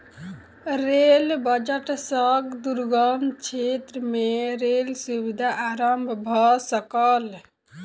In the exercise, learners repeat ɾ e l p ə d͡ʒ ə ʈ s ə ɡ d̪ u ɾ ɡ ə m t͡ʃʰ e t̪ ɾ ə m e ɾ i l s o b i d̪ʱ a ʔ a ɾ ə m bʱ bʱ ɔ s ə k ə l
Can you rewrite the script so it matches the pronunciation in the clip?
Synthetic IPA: ɾ e l b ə d͡ʒ ə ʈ s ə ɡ d̪ u ɾ ɡ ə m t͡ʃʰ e t̪ ɾ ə m e ɾ e l s u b i d̪ʱ a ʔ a ɾ ə m bʱ bʱ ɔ s ə k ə l